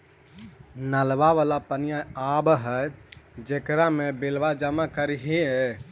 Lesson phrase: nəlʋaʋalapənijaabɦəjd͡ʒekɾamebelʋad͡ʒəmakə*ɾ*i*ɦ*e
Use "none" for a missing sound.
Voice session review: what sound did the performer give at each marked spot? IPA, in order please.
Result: ɾ, ɦ

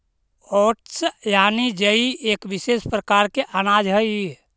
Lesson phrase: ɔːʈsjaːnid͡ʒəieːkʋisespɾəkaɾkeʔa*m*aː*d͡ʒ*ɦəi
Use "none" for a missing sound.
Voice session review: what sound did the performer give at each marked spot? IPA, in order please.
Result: n, d͡ʒ

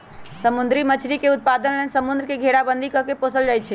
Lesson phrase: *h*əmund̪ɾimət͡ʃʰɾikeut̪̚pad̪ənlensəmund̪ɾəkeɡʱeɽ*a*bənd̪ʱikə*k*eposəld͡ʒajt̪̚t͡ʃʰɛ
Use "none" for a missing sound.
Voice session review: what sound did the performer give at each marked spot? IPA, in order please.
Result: s, a, k

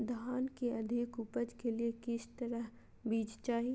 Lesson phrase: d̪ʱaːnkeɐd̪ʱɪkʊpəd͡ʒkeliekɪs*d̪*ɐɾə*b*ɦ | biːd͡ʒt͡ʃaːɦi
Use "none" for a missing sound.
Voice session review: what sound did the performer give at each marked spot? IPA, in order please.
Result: t̪, none

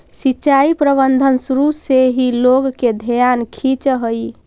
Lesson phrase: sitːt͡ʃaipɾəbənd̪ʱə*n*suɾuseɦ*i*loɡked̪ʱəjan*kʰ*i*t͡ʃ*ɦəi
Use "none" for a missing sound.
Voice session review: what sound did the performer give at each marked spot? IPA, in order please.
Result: n, i, kʰ, t͡ʃ

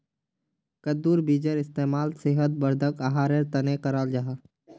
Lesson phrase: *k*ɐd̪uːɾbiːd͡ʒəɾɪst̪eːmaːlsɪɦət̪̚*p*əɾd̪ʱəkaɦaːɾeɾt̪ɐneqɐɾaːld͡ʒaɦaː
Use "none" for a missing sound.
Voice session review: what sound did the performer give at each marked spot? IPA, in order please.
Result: k, b

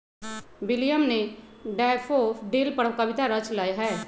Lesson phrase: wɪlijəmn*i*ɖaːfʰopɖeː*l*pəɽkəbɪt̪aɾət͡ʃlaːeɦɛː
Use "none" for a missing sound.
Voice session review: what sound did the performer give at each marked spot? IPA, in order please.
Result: e, l

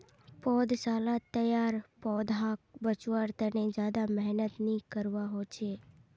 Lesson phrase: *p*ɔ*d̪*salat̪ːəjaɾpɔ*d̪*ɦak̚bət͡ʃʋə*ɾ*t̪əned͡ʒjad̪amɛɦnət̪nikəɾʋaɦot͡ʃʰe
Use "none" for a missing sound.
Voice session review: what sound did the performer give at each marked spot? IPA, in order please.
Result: p, d̪, d̪, ɾ

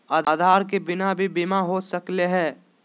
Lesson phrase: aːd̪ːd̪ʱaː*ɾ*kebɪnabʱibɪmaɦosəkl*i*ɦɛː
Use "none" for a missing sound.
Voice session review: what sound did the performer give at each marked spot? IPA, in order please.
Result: ɾ, e

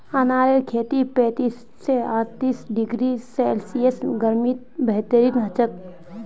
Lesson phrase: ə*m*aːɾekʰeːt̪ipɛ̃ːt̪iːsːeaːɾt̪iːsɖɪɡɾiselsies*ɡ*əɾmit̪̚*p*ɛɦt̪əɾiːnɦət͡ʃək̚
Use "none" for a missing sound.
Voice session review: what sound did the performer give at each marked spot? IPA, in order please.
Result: n, ɡ, b

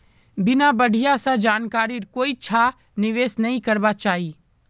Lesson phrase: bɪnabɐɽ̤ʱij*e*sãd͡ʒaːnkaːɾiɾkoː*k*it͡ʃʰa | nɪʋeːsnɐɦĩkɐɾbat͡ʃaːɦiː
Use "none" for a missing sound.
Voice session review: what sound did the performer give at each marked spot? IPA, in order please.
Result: a, none

